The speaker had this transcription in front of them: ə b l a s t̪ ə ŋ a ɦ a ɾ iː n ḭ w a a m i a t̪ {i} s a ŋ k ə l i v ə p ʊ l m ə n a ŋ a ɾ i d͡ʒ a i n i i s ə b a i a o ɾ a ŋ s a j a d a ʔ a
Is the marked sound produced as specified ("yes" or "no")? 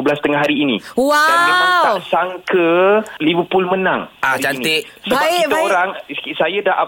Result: no